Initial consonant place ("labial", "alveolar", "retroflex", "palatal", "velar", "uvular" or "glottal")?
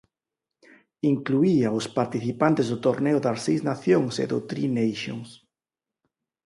velar